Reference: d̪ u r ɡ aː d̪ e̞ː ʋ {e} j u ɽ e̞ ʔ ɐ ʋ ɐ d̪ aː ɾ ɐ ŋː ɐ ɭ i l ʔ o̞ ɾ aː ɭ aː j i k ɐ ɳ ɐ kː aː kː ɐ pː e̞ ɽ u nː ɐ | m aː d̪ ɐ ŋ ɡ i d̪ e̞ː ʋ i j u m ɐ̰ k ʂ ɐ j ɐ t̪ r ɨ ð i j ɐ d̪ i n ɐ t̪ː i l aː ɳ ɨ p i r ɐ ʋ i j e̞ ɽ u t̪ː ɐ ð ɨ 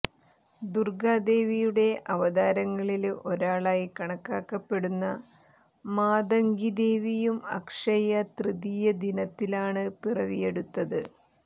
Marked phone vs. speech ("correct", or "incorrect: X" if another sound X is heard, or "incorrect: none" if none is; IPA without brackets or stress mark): incorrect: i